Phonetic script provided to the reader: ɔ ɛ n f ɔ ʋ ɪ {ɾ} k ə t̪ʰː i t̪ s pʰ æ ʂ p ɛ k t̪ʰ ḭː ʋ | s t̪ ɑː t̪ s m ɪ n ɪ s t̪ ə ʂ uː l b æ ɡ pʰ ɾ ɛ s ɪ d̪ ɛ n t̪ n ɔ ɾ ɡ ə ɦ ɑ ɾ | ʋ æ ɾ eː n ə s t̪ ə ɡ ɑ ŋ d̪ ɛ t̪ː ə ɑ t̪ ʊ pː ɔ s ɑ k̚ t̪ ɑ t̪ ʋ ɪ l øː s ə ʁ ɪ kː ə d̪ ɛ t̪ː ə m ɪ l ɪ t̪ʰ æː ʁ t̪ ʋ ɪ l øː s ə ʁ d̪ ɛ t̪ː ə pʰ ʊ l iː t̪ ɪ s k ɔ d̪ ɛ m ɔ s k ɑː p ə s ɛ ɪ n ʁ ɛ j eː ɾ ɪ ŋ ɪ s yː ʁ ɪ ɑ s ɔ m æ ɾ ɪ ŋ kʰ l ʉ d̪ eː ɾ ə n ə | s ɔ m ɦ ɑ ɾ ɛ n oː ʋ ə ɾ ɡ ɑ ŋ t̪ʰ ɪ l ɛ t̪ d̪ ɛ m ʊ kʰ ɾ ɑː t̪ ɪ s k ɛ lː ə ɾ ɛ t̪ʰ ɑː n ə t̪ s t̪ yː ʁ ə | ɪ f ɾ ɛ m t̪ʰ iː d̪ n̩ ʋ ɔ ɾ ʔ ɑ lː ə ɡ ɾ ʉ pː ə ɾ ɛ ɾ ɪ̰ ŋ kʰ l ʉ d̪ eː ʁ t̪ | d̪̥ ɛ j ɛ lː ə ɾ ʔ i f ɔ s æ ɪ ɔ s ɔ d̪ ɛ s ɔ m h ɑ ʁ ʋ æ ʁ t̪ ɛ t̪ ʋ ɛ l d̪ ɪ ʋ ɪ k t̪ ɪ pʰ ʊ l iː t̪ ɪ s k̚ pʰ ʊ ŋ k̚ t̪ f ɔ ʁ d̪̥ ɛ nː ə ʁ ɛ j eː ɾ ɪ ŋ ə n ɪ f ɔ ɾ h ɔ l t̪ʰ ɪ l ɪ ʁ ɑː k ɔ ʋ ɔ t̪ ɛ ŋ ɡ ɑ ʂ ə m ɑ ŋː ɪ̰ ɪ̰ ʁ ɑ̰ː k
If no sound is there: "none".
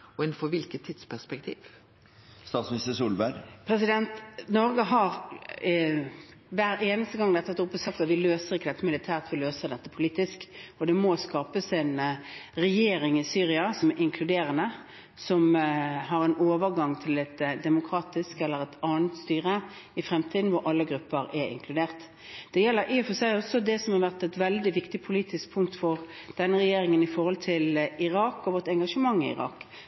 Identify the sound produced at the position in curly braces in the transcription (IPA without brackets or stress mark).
l